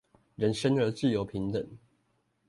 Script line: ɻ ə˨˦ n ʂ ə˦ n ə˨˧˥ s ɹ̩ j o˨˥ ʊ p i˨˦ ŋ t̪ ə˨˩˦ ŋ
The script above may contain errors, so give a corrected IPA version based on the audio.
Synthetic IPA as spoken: ɻ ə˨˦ n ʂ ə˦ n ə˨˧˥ t͡s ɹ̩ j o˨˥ ʊ pʰ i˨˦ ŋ t̪ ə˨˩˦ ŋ

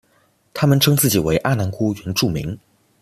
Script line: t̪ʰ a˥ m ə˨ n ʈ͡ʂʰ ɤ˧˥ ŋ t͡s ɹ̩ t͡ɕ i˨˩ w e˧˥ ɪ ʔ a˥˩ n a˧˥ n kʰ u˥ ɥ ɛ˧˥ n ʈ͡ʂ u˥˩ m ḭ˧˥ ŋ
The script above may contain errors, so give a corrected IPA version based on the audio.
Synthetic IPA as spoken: t̪ʰ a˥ m ə˨ n ʈ͡ʂʰ ɤ˥ ŋ t͡s ɹ̩ t͡ɕ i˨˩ w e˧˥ ɪ ʔ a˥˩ n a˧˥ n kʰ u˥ ɥ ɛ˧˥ n ʈ͡ʂ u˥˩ m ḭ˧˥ ŋ

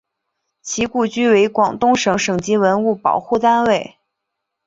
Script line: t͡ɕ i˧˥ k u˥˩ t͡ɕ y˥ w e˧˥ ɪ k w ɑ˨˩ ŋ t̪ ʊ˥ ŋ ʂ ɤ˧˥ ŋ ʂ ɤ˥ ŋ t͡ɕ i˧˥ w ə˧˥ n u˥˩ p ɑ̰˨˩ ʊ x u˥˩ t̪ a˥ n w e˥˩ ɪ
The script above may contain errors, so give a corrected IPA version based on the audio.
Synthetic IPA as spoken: t͡ɕʰ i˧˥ k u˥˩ t͡ɕ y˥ w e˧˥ ɪ k w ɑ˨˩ ŋ t̪ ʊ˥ ŋ ʂ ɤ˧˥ ŋ ʂ ɤ˨˩ ŋ t͡ɕ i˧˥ w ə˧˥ n u˥˩ p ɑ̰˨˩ ʊ x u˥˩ t̪ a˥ n w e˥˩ ɪ

